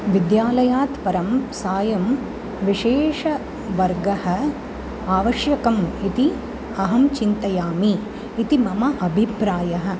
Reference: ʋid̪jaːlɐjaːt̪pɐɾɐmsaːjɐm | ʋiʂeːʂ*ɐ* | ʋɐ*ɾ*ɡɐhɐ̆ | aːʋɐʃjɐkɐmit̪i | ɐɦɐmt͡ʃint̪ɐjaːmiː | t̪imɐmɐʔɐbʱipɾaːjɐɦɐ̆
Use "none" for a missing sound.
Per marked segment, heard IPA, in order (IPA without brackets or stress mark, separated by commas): ɐ, ɾ